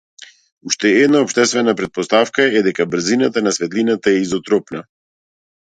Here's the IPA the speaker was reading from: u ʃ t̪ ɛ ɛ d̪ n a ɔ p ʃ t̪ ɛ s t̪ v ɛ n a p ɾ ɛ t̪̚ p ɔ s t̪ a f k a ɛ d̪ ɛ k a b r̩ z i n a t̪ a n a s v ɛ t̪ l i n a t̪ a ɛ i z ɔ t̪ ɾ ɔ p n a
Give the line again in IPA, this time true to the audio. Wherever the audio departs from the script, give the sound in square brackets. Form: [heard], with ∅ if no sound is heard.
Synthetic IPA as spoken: u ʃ t̪ ɛ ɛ d̪ n a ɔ p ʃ t̪ ɛ s t̪ v ɛ n a p ɾ ɛ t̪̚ p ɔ s t̪ a f k a ɛ d̪ ɛ k a b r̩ z i n a t̪ a n a s v ɛ t̪ l i n a t̪ a ɛ i z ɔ t̪ ɾ ɔ p n a